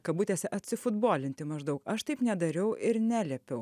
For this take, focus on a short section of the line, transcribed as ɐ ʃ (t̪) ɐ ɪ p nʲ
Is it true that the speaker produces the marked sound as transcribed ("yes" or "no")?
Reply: yes